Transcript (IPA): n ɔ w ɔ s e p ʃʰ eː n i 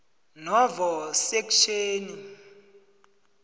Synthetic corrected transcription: n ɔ v ɔ s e k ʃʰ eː n i